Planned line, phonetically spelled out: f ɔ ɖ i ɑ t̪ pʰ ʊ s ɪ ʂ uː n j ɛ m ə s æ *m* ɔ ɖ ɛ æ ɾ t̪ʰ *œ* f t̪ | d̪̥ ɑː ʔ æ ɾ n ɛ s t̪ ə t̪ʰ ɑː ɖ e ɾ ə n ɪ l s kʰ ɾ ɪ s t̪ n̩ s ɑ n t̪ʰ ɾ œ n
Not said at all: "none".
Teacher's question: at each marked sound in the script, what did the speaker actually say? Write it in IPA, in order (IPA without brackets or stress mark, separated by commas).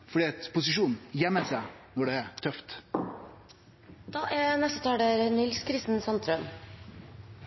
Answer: n, œ